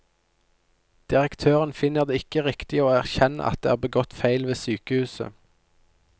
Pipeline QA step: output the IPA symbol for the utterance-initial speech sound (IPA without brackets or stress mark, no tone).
d̪̥